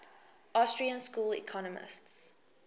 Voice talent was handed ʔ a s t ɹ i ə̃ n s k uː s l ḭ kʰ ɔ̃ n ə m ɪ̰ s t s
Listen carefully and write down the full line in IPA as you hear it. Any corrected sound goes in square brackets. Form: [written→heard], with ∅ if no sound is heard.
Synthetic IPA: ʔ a s t ɹ i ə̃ n s k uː [s→∅] l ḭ kʰ [ɔ̃→ɔ] n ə m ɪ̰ s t s